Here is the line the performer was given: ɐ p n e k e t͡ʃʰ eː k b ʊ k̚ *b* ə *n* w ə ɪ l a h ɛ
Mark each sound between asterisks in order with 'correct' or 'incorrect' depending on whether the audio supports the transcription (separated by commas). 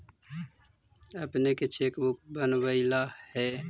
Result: correct, correct